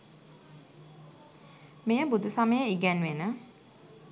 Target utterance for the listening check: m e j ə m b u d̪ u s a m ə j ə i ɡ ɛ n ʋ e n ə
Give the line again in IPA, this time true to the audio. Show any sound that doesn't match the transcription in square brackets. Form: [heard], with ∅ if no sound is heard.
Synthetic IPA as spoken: m e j ə [∅] b u d̪ u s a m ə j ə i ɡ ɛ n ʋ e n ə